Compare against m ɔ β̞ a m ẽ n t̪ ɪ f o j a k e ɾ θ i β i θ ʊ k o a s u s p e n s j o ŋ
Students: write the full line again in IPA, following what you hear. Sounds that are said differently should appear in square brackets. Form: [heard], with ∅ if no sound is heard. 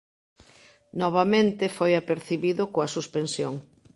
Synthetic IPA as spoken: [n] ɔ β̞ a m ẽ n t̪ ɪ f o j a [p] e ɾ θ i β i [ð] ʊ k o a s u s p e n s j o ŋ

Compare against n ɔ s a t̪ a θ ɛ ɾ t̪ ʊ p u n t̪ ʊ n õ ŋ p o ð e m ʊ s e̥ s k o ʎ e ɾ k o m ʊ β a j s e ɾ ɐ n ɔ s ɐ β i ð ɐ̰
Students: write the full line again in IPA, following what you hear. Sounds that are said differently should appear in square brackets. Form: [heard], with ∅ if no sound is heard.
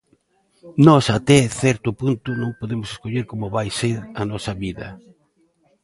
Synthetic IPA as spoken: n ɔ s a t̪ [ɛ] θ ɛ ɾ t̪ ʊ p u n t̪ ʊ n õ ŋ p o ð e m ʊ s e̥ s k o ʎ e ɾ k o m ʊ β a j s e ɾ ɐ n ɔ s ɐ β i ð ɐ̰

